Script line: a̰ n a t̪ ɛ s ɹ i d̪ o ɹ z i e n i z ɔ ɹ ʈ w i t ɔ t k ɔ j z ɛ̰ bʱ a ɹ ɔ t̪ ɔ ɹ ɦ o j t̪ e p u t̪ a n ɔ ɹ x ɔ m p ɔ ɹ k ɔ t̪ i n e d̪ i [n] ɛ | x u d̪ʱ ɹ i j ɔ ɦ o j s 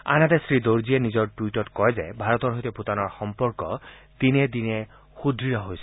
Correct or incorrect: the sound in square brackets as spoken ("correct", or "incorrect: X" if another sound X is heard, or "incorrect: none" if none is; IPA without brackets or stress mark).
correct